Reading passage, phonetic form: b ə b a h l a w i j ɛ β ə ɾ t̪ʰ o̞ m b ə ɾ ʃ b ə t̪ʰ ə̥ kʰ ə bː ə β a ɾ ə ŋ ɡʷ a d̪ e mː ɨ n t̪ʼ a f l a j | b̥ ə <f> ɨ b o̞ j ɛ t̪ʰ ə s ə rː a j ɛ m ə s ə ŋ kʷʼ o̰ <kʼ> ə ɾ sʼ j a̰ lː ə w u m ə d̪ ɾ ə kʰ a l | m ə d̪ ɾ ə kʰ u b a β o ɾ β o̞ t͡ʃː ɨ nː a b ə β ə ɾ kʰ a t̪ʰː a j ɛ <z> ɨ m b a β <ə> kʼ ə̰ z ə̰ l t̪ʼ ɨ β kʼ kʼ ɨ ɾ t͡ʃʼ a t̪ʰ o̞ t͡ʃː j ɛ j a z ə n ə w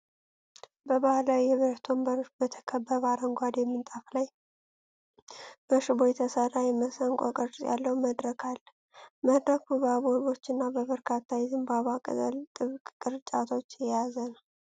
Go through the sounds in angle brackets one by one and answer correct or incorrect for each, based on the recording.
incorrect, correct, correct, incorrect

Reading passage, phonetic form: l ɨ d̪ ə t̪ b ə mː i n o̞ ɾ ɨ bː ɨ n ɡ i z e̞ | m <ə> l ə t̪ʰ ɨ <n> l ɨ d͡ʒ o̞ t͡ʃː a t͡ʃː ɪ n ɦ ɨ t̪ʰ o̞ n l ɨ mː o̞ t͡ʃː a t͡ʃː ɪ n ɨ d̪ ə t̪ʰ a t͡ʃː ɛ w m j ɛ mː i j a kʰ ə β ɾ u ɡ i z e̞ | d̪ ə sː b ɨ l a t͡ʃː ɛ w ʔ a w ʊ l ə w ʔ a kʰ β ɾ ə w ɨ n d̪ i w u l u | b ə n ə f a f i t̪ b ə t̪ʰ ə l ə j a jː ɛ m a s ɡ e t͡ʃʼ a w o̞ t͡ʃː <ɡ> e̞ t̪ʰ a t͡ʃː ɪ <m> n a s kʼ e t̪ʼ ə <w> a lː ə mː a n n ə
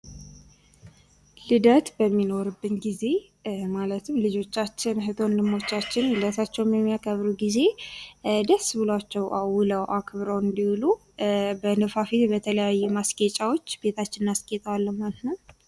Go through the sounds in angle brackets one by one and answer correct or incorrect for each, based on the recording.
incorrect, incorrect, incorrect, incorrect, correct

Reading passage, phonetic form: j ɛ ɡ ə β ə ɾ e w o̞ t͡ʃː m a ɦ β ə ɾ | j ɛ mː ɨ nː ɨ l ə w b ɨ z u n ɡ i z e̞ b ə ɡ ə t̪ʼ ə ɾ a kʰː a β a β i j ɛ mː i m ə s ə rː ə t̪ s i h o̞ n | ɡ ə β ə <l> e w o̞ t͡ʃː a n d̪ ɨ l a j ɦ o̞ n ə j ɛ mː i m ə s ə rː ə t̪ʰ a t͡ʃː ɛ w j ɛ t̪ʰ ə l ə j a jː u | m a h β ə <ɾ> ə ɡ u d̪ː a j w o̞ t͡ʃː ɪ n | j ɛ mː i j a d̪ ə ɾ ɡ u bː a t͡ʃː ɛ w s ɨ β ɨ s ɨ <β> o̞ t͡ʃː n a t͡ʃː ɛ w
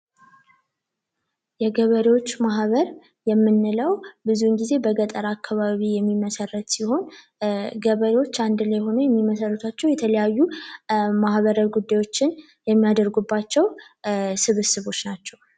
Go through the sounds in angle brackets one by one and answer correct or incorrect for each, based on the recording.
incorrect, correct, correct

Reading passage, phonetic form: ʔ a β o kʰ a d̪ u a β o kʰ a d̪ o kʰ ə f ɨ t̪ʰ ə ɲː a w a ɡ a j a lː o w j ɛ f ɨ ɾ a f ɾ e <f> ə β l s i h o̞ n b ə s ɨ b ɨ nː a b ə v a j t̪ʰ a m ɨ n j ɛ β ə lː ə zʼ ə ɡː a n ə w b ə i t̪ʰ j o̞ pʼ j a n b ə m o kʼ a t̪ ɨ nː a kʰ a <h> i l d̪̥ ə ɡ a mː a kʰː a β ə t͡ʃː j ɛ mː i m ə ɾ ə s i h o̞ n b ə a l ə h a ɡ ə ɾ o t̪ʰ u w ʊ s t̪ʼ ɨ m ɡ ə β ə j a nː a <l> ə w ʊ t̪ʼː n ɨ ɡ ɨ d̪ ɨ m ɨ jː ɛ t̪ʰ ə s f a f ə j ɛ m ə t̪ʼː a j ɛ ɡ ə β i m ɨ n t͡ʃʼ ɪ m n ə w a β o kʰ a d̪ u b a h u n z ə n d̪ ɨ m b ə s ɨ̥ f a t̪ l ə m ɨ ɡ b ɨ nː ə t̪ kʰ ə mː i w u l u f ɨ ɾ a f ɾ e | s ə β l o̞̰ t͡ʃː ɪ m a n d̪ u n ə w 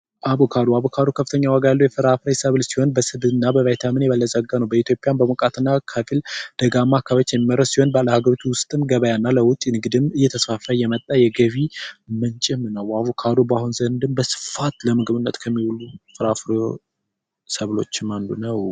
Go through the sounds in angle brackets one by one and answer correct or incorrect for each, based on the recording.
incorrect, incorrect, correct

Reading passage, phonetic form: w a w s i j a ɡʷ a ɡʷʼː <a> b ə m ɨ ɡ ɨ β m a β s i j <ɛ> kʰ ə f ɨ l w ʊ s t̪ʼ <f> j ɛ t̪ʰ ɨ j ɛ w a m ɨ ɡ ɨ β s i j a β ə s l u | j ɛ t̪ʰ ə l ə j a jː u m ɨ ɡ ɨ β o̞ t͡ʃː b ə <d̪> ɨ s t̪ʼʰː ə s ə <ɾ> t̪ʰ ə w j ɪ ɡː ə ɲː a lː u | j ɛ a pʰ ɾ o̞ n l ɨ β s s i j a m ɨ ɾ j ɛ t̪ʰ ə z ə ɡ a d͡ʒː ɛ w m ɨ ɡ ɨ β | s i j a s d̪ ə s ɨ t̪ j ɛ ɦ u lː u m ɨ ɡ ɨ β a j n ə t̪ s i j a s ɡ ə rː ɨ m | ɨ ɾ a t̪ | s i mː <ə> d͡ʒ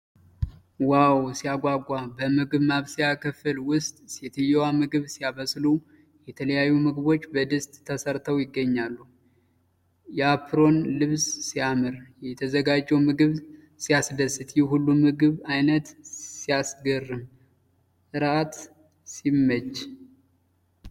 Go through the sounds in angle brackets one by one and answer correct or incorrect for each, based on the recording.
correct, incorrect, incorrect, correct, correct, correct

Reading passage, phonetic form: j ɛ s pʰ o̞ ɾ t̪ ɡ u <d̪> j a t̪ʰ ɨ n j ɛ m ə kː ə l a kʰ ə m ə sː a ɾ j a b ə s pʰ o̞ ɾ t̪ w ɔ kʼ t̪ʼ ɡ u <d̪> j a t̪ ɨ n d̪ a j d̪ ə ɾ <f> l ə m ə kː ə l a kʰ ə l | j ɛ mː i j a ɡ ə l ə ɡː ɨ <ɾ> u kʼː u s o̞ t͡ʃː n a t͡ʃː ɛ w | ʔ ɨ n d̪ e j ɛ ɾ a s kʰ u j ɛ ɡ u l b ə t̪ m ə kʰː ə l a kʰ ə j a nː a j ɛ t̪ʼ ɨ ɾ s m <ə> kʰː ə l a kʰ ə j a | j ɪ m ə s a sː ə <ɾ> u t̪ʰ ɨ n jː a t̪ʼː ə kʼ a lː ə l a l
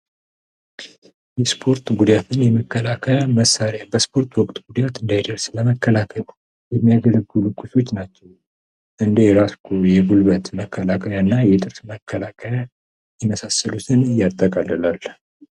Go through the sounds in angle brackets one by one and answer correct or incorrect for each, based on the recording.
correct, correct, incorrect, incorrect, correct, incorrect

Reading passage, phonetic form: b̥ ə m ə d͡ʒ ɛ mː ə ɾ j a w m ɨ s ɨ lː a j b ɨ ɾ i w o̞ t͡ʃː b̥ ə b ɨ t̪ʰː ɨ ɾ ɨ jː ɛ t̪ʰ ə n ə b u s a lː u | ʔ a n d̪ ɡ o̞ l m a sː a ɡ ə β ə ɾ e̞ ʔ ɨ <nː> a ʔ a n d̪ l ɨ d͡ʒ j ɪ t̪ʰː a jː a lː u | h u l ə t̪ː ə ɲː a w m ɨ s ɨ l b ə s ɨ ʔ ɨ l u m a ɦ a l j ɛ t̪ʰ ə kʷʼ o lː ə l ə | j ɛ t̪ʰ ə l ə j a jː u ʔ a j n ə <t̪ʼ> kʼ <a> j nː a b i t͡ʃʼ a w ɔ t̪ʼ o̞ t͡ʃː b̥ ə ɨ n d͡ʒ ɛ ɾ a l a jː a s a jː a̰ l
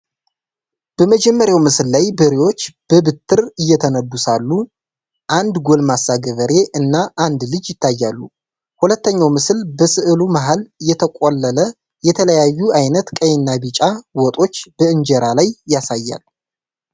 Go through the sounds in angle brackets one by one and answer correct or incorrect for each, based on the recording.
correct, incorrect, incorrect

